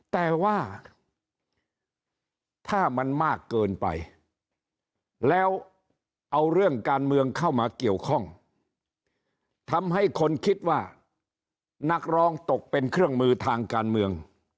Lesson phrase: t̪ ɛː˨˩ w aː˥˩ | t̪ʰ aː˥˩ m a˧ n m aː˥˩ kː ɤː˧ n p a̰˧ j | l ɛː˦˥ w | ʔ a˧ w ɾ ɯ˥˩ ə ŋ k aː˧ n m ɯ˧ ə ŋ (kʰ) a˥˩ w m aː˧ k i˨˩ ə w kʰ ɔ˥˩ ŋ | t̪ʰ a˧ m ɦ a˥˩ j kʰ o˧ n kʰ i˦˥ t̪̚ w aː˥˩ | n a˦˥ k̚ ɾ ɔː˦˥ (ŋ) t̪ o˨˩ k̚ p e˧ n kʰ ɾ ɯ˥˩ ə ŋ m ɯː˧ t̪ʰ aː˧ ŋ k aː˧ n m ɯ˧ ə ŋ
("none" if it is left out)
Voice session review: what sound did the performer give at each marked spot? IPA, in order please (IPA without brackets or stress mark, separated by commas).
kʰ, ŋ